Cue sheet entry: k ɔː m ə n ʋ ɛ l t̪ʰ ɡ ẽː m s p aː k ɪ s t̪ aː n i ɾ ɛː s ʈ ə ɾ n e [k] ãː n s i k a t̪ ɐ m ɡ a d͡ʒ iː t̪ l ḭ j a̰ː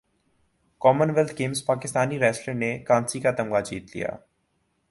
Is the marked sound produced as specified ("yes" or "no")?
yes